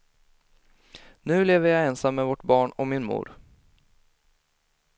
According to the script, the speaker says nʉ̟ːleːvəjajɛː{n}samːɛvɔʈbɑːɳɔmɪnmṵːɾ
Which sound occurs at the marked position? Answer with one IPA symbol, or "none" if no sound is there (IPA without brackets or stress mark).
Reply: n